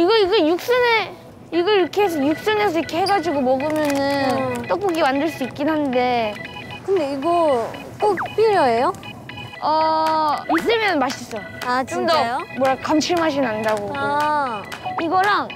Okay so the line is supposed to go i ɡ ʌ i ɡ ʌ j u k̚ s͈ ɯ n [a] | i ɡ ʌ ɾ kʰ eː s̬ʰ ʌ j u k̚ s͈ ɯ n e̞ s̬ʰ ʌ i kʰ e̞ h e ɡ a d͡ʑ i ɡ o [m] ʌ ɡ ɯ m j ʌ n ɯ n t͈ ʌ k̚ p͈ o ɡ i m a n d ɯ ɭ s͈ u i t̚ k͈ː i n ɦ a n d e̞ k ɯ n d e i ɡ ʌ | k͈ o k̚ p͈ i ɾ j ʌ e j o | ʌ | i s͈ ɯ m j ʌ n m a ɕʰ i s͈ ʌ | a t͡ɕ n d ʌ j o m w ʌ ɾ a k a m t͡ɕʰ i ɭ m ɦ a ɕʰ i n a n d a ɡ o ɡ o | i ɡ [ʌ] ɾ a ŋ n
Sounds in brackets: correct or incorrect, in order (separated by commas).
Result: incorrect, correct, correct